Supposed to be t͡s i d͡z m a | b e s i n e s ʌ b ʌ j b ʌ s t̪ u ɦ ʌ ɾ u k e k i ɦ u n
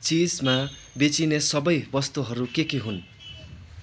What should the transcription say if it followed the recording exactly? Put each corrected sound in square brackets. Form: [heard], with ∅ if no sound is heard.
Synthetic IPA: t͡s i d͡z m a | b e [t͡s] i n e s ʌ b ʌ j b ʌ s t̪ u ɦ ʌ ɾ u k e k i ɦ u n

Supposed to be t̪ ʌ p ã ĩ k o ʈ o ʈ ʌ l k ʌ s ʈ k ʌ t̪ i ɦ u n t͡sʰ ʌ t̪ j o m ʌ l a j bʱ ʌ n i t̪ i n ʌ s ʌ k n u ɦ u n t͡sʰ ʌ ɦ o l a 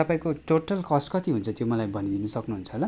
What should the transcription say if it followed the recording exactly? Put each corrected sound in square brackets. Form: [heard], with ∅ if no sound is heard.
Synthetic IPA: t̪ ʌ p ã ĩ k o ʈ o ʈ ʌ l k ʌ s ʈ k ʌ t̪ i ɦ u n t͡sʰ ʌ t̪ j o m ʌ l a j bʱ ʌ n i [d̪] i n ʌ s ʌ k n u ɦ u n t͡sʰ ʌ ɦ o l a

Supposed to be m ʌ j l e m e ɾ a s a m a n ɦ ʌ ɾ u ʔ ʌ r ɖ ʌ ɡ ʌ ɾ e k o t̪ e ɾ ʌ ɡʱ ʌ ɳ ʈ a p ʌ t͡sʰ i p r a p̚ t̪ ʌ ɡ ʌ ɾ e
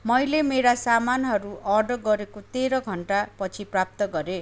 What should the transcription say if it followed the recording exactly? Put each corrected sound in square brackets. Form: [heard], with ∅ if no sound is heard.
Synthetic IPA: m ʌ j l e m e ɾ a s a m a n ɦ ʌ ɾ u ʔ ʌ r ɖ ʌ ɡ ʌ ɾ e k o t̪ e ɾ ʌ ɡʱ ʌ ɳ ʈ a p ʌ t͡sʰ i p r a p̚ t̪ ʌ ɡ ʌ ɾ e

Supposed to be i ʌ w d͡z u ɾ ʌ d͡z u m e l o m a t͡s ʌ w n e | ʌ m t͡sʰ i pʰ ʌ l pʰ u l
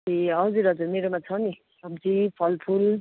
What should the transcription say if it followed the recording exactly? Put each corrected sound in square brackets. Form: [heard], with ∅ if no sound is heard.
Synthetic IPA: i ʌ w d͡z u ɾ ʌ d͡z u m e [ɾ] o m a [t͡sʰ] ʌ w n [i] | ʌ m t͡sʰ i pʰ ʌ l pʰ u l

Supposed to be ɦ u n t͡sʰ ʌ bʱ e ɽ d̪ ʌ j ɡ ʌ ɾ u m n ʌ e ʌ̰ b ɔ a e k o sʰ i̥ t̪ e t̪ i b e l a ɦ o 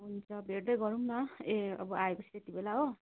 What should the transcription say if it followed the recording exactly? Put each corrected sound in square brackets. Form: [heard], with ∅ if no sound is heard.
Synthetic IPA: ɦ u n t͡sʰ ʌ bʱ e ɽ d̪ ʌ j ɡ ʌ ɾ u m n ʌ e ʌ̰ b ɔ a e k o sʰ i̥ t̪ e t̪ i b e l a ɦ o

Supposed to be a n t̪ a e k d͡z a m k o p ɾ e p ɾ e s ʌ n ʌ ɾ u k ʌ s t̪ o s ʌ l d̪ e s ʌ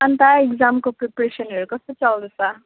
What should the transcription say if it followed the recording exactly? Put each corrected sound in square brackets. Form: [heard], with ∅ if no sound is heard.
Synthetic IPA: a n t̪ a e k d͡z a m k o p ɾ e p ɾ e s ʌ n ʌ ɾ u k ʌ s t̪ o [t͡s] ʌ l d̪ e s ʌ

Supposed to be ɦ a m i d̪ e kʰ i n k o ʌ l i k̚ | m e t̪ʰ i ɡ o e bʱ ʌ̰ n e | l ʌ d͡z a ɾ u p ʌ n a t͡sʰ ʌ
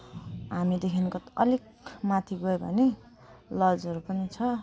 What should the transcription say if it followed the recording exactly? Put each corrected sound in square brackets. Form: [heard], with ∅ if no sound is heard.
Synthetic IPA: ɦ a m i d̪ e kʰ i n k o ʌ l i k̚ | m [a] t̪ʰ i ɡ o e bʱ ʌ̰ n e | l ʌ d͡z [ʌ] ɾ u p ʌ n [i] t͡sʰ ʌ

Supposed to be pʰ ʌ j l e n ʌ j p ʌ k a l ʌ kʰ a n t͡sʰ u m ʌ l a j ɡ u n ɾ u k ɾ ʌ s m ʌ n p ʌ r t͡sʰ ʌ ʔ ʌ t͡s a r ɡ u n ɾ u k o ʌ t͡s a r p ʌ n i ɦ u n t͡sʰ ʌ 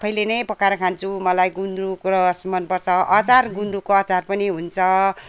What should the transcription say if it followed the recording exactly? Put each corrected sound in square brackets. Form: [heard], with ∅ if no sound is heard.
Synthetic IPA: pʰ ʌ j l e n ʌ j p ʌ k a [ɾ] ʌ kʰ a n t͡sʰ u m ʌ l a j ɡ u n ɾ u k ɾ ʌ s m ʌ n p ʌ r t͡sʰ ʌ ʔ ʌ t͡s a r ɡ u n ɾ u k o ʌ t͡s a r p ʌ n i ɦ u n t͡sʰ ʌ

